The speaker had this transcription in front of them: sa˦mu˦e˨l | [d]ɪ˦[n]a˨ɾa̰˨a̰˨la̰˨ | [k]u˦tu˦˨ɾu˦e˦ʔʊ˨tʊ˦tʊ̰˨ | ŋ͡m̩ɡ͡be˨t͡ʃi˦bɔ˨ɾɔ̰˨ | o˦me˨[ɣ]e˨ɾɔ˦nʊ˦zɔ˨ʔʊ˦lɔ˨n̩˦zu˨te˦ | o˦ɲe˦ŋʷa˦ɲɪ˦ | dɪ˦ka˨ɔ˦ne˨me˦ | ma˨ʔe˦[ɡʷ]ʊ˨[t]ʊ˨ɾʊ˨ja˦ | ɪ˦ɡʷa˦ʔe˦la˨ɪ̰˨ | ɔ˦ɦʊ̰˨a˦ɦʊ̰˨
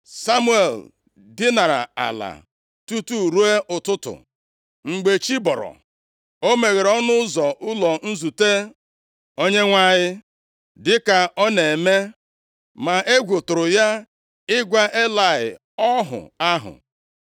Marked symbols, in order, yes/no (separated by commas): yes, yes, no, yes, yes, yes